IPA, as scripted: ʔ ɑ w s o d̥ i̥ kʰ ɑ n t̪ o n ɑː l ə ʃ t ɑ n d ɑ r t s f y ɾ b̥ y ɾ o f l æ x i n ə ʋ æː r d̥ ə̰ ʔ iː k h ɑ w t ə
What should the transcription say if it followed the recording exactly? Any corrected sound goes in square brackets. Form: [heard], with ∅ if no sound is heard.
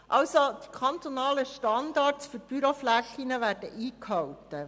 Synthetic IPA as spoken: ʔ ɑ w s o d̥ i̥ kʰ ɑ n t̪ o n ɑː l ə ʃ t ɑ n d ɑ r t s f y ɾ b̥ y ɾ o f l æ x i n ə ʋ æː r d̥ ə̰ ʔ iː k h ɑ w t ə